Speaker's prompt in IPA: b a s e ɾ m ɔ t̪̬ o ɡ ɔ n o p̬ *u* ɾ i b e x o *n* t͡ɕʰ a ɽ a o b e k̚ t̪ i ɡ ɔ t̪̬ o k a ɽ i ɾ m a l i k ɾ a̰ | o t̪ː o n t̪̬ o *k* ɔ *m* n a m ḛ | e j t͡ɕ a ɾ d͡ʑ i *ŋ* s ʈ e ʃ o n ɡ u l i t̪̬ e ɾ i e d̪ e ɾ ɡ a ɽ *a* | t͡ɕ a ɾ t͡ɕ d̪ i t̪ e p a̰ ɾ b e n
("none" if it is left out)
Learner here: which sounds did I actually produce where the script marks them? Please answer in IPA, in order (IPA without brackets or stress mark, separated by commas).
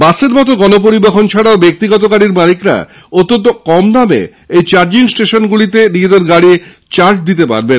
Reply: o, n, k, m, ŋ, i